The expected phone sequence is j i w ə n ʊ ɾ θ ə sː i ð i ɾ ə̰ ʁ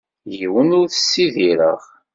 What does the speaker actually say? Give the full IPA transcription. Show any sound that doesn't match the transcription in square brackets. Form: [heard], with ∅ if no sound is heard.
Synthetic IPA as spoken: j i w ə n ʊ ɾ θ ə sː i ð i ɾ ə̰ ʁ